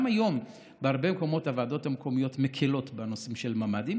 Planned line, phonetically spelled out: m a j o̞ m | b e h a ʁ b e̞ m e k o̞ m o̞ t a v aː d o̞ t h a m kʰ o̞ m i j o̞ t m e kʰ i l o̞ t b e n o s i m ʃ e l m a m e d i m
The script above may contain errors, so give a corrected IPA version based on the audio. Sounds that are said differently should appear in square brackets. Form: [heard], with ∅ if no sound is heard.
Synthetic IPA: m a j o̞ m | b e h a ʁ b e̞ m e k o̞ m o̞ t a v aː d o̞ t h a m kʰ o̞ m i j o̞ t m e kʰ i l o̞ t b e n o s i m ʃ e l m a m [a] d i m

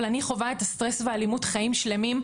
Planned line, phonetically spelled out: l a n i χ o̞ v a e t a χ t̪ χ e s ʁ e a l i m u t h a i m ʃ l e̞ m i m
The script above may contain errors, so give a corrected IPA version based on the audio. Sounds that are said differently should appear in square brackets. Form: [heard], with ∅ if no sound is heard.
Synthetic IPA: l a n i χ o̞ v a e t a [s] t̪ [ʁ] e s [v] e a l i m u t [χ] a i m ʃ l e̞ m i m

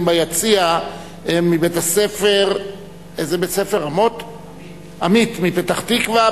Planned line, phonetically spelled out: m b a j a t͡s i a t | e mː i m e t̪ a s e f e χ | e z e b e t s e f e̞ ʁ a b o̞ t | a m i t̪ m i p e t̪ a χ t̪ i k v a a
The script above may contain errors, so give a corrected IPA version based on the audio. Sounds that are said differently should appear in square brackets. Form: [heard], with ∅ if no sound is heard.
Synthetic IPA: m b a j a t͡s i a [∅] | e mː i [b] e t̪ a s e f e [ʁ] | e z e b e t s e f e̞ ʁ a [m] o̞ t | a m i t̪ m i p e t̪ a χ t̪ i k v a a

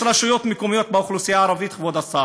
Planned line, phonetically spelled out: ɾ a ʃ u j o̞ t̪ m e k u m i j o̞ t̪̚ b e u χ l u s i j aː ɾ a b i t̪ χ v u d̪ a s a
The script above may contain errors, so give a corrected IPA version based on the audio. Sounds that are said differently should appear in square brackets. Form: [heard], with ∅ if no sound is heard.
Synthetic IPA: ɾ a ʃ u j o̞ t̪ m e k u m i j o̞ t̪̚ b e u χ l u s i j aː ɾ a [v] i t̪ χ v [o] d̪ a s a

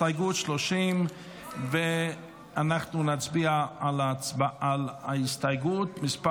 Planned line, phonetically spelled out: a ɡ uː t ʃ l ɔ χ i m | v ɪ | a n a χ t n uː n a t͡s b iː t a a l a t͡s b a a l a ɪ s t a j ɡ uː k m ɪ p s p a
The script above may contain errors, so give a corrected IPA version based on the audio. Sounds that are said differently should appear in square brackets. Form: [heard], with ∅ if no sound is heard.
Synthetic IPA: a ɡ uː t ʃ l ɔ [ʃ] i m | v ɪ | a n a χ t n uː n a t͡s b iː [∅] a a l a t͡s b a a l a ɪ s t a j ɡ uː [t] m ɪ [∅] s p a

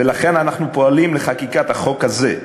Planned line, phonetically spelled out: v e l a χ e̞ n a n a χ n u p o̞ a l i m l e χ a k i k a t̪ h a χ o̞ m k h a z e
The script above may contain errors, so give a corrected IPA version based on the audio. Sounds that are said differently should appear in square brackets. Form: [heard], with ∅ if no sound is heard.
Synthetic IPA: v e l a χ e̞ n a n a χ n u p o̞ a l i m l e χ a k i k a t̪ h a χ o̞ [∅] k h a z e

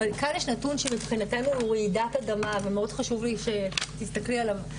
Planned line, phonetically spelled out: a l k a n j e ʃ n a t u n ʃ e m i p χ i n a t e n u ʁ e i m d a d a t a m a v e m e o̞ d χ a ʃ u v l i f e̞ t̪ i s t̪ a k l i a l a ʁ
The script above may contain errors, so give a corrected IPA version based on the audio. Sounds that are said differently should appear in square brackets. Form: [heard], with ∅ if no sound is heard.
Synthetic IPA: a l k a n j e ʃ n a t u n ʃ e m i p χ i n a t e n u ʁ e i [∅] d a [t] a [d] a m a v e m e o̞ d χ a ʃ u v l i [ʃ] e̞ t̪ i s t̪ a k l i a l a [v]

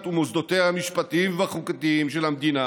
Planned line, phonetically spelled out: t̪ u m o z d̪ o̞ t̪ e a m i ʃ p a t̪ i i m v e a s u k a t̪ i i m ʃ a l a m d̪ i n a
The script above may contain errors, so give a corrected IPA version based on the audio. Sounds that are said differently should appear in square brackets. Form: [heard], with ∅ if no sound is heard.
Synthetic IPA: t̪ u m o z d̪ o̞ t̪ e a m i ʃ p a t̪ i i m v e a [χ] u k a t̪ i i m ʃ [e] l a m d̪ i n a

